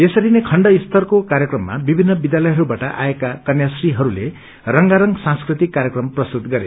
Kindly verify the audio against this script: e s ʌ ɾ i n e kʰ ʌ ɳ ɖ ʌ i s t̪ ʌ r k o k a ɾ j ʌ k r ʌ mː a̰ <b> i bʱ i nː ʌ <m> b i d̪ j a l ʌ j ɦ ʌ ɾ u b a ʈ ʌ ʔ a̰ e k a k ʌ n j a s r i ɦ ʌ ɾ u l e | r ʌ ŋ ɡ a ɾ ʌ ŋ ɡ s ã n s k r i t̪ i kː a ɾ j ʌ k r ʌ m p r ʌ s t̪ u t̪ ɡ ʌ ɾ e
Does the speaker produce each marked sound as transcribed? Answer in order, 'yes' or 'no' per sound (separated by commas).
yes, no